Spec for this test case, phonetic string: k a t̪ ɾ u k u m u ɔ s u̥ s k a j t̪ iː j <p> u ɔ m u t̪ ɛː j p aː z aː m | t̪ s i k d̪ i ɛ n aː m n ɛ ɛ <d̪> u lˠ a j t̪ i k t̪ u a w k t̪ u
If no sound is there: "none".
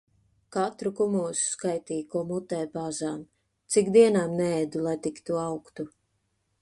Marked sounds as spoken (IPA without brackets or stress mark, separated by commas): k, d̪